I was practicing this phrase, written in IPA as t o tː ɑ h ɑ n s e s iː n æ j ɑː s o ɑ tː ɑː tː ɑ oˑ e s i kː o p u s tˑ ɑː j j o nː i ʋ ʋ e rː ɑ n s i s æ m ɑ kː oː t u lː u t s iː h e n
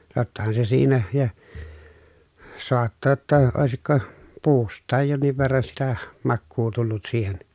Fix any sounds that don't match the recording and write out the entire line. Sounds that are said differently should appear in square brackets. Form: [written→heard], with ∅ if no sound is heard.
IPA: t o tː ɑ h ɑ n s e s iː n æ j [ɑː→ɑ] s o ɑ tː ɑː tː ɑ oˑ e s i kː o p [u→uː] s tˑ ɑː j j o nː i ʋ ʋ e rː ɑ n s i [s→t] æ m ɑ kː [oː→uː] t u lː u t s iː h e n